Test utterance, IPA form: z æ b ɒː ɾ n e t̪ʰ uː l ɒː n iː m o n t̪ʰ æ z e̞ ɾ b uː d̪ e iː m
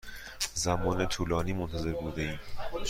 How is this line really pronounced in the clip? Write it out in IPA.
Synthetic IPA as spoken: z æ m ɒː n e t̪ʰ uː l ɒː n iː m o n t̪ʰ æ z e̞ ɾ b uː d̪ e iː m